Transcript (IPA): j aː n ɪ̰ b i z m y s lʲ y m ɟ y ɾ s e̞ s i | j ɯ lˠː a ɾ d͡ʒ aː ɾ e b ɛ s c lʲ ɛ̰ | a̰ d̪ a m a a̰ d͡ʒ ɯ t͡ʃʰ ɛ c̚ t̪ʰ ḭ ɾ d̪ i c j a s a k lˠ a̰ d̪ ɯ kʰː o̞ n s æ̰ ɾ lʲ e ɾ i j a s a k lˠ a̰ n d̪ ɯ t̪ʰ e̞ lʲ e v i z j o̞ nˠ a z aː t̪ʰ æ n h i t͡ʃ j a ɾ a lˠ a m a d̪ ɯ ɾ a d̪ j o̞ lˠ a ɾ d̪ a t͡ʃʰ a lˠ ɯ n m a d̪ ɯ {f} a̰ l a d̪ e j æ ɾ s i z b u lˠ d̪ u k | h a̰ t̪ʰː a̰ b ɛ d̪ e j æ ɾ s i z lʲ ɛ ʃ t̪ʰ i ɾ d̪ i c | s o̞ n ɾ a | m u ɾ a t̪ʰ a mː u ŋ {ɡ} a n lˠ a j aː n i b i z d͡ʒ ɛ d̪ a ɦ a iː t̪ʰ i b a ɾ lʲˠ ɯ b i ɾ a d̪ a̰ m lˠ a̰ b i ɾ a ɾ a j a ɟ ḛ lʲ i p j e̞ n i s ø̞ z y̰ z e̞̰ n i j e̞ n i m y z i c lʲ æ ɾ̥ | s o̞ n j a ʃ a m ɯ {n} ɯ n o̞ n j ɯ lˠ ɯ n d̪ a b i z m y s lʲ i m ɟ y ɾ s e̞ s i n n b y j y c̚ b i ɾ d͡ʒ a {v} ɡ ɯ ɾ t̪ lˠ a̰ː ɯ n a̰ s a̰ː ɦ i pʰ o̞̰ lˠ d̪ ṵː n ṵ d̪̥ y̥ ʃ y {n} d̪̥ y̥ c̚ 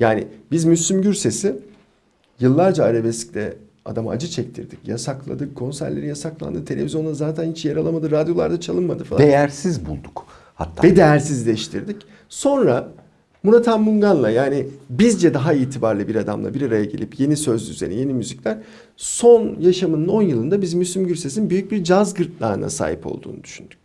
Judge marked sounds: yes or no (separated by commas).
yes, yes, yes, no, yes